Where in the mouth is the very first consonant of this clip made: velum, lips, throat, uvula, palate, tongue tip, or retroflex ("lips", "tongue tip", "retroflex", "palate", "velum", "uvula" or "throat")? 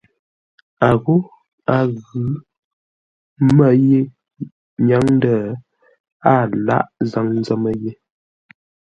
velum